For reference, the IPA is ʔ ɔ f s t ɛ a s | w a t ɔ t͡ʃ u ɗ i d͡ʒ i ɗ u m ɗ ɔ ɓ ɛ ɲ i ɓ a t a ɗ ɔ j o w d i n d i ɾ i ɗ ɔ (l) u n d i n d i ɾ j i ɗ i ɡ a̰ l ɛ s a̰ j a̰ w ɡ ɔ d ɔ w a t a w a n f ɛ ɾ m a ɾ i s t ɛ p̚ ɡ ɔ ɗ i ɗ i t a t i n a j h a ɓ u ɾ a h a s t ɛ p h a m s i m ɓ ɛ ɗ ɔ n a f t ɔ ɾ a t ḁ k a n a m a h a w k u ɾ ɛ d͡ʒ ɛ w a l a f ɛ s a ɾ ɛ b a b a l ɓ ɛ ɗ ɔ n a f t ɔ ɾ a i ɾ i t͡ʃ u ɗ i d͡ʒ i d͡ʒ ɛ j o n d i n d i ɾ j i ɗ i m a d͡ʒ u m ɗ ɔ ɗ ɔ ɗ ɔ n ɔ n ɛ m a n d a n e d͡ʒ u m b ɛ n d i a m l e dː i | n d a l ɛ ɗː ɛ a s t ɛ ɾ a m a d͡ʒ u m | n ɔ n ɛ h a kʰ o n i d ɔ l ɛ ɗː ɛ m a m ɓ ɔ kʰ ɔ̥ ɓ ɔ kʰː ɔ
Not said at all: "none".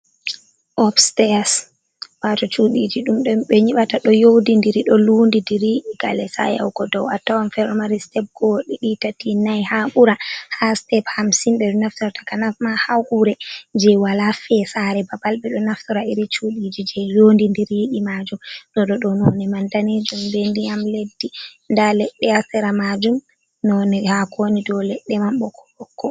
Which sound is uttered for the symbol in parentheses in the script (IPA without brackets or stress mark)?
l